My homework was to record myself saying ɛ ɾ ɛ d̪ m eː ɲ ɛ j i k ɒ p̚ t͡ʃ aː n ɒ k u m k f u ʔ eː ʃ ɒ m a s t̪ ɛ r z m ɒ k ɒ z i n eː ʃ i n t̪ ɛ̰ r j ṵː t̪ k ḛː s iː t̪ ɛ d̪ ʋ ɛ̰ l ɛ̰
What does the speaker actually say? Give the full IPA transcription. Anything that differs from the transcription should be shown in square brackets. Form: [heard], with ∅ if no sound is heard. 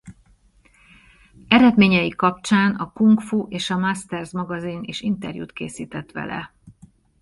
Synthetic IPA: ɛ ɾ ɛ d̪ m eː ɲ ɛ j i k ɒ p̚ t͡ʃ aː n ɒ k u [ŋ] k f u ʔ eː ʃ ɒ m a s t̪ ɛ r z m ɒ [ɡ] ɒ z i n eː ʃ i n t̪ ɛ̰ r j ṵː t̪ k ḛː s iː t̪ ɛ [t̪] ʋ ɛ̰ l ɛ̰